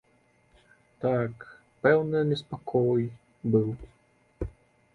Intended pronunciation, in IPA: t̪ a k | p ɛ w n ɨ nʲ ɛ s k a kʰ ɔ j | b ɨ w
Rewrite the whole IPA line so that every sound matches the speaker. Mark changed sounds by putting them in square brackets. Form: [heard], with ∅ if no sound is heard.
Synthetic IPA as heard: t̪ a k | p ɛ w n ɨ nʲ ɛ s [p] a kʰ ɔ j | b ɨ w